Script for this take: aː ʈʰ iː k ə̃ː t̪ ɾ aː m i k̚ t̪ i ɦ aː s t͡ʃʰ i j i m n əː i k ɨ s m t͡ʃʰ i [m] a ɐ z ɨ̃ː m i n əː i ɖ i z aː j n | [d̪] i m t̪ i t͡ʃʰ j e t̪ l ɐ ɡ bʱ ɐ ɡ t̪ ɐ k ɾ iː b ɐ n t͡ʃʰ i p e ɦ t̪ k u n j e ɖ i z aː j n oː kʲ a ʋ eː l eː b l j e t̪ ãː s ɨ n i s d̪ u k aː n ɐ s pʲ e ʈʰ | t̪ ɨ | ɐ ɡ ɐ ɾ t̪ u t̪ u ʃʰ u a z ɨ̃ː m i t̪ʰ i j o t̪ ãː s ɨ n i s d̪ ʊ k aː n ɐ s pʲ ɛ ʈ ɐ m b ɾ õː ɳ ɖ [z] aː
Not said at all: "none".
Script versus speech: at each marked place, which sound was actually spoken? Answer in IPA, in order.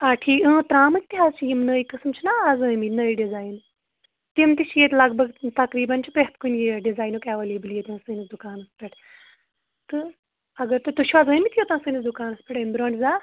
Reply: n, t̪, z

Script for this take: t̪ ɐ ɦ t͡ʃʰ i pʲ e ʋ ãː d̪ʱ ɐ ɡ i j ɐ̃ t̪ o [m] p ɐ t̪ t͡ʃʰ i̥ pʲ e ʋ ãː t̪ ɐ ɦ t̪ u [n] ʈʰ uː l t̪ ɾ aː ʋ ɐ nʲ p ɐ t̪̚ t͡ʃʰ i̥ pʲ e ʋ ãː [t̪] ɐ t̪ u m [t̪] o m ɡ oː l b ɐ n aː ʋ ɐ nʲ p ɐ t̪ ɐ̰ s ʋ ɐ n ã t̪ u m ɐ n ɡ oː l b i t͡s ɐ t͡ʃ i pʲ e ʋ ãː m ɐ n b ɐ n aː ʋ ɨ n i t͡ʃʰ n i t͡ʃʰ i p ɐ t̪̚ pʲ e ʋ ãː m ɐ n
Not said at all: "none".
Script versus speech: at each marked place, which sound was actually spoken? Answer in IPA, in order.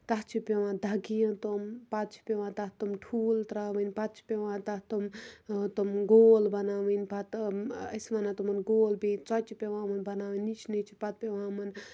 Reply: m, m, t̪, t̪

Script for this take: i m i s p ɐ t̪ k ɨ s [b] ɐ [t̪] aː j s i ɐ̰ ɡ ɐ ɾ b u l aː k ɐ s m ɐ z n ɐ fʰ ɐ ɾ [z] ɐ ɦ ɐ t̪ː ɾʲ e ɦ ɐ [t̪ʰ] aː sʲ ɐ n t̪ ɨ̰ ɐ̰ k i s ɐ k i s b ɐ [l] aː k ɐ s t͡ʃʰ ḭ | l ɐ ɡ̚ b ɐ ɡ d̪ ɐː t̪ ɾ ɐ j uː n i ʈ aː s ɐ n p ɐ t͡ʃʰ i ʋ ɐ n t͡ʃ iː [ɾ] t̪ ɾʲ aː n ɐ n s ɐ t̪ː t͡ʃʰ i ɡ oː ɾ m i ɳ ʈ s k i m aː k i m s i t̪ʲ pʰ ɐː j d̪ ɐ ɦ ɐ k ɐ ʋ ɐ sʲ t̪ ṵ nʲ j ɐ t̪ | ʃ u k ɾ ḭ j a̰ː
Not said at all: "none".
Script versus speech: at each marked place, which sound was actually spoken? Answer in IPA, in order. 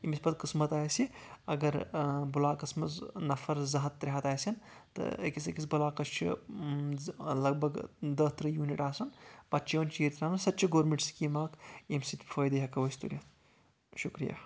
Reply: m, t̪, z, t̪, l, ɾ

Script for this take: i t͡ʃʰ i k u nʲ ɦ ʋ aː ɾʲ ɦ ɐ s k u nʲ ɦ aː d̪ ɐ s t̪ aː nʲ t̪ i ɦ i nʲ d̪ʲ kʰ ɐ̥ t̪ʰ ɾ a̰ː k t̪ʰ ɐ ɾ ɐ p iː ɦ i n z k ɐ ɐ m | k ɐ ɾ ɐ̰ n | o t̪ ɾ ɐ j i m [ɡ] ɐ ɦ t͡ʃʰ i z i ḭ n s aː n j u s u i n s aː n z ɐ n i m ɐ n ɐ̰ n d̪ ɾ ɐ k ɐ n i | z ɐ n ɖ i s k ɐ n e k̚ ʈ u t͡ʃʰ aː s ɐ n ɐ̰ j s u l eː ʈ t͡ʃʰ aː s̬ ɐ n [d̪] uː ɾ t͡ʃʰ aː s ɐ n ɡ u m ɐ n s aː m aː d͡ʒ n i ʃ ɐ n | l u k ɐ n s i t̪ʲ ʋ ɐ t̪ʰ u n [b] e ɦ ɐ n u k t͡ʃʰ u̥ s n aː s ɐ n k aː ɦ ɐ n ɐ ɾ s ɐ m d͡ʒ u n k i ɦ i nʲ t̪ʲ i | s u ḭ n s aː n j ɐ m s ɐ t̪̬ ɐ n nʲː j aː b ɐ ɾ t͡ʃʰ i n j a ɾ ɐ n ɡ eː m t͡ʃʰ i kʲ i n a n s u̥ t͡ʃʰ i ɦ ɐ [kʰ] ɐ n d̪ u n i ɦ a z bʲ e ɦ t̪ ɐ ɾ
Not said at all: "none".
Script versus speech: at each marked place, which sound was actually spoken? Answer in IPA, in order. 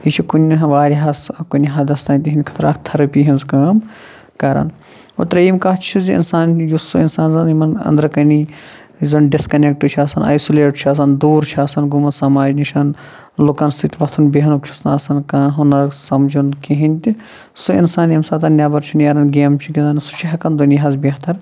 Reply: k, d̪, b, k

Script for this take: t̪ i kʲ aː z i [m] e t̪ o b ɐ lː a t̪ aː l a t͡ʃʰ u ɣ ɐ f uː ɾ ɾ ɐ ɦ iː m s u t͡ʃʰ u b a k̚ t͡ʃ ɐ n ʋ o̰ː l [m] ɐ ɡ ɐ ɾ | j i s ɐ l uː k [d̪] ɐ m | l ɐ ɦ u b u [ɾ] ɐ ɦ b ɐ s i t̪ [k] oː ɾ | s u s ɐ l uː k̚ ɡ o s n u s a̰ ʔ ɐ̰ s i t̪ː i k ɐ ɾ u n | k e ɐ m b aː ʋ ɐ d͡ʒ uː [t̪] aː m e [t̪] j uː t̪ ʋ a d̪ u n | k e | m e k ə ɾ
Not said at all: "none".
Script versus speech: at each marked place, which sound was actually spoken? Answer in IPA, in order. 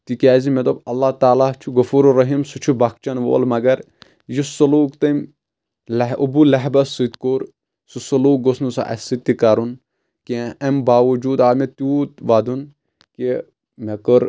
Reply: m, m, t̪, l, k, d̪, t̪

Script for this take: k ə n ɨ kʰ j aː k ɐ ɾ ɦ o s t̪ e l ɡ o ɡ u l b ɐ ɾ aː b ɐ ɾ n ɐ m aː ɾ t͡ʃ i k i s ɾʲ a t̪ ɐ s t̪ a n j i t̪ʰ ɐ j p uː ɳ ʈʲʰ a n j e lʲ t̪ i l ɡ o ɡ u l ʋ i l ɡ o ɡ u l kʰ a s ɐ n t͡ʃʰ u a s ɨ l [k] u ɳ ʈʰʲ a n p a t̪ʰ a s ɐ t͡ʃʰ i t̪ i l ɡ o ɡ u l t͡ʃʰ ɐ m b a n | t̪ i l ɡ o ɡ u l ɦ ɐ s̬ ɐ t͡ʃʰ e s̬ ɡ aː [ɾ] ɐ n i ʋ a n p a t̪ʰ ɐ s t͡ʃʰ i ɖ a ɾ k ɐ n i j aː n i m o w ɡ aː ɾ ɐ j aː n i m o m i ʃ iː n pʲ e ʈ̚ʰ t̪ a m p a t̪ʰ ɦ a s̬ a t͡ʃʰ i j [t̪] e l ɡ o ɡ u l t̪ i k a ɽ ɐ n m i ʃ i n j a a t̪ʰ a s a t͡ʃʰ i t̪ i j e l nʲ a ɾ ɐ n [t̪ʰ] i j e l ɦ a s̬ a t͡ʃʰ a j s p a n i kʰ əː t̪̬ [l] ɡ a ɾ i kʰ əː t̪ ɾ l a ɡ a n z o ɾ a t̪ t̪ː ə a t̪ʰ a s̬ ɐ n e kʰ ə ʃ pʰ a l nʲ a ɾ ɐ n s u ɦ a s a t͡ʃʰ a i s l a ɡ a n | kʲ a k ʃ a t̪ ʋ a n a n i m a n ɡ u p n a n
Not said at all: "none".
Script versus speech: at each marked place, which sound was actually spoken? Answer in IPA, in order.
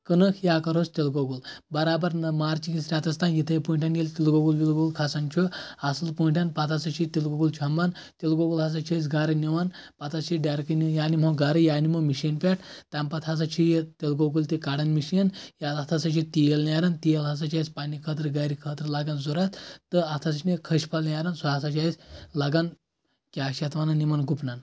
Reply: p, ɾ, t̪, t̪, ɾ

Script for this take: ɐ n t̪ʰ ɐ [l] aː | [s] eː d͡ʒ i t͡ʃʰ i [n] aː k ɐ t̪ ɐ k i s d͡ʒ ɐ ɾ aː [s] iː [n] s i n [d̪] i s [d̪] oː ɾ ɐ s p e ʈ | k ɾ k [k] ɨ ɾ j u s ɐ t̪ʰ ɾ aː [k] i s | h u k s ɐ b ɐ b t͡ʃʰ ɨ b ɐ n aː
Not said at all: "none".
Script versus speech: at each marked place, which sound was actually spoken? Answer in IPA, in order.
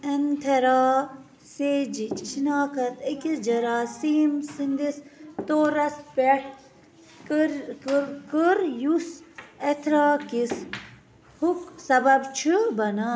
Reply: ɾ, s, n, s, m, d̪, t̪, k, k

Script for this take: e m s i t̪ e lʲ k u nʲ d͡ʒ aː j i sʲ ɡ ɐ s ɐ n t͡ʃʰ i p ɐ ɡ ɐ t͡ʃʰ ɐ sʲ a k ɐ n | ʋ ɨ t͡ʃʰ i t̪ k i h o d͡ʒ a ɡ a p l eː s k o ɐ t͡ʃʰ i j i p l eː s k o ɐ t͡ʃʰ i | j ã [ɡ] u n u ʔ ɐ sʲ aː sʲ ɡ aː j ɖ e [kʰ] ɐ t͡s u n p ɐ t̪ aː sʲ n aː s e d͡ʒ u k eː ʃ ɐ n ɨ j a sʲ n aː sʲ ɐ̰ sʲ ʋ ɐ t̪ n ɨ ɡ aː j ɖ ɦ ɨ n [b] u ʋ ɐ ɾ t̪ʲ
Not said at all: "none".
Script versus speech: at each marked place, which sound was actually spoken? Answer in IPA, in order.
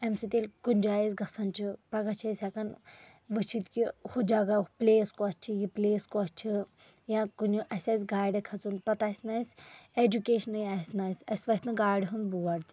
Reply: k, kʰ, b

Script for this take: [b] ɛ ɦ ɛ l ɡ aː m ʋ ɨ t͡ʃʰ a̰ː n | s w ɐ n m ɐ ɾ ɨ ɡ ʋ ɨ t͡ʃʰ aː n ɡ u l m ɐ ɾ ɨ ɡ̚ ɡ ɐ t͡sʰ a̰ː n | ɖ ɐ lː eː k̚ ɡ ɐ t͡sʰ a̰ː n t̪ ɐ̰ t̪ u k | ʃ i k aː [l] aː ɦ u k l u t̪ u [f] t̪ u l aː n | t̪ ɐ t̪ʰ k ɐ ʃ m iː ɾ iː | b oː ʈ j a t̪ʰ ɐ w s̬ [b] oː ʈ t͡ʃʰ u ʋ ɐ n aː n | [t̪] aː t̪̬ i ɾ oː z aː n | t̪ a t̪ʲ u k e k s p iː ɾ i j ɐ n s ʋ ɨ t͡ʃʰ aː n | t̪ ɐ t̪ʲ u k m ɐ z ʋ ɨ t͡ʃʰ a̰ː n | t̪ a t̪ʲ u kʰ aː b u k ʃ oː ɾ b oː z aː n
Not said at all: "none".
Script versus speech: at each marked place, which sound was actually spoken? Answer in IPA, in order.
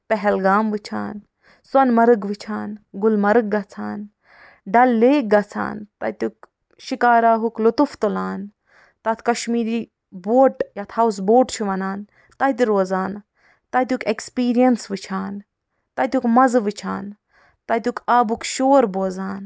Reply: p, ɾ, f, b, t̪

